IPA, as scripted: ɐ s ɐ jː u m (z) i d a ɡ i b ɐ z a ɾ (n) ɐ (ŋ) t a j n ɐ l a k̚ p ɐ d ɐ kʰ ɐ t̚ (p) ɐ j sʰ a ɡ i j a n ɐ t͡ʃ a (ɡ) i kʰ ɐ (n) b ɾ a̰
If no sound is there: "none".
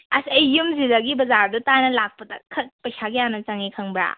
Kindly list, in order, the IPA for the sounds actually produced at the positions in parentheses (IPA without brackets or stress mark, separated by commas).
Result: z, d, none, p, ŋ, ŋ